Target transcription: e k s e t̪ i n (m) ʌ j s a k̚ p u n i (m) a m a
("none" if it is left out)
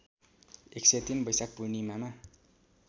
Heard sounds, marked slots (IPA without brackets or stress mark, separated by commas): b, m